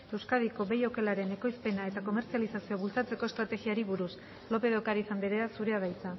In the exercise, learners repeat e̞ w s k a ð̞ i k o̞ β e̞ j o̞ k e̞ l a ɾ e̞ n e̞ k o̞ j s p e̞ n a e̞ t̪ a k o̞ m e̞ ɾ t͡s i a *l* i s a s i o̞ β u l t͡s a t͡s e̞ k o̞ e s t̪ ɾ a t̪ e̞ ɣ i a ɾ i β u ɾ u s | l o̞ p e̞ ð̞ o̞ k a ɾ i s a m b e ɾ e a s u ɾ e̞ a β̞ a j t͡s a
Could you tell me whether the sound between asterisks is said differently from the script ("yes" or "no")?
no